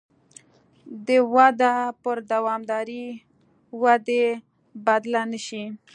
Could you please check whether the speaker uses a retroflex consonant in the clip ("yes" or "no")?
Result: no